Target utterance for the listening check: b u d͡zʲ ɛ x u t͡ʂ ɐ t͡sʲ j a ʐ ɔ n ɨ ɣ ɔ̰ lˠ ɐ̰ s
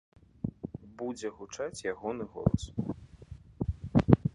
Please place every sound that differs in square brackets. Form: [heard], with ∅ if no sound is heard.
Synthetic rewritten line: b u d͡zʲ ɛ [ɣ] u t͡ʂ [a] t͡sʲ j a [ɣ] ɔ n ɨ ɣ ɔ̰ lˠ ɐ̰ s